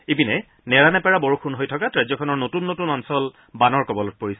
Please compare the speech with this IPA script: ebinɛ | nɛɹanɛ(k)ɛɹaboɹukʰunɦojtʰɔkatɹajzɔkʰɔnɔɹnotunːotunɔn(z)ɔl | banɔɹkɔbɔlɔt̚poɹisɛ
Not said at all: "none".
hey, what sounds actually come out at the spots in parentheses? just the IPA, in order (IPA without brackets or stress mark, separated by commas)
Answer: p, s